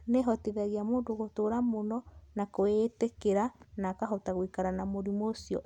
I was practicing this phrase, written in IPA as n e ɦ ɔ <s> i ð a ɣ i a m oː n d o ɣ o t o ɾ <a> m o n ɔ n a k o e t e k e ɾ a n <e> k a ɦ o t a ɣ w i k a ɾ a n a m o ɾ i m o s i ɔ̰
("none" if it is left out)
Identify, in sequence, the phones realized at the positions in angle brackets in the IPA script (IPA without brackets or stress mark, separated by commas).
t, a, a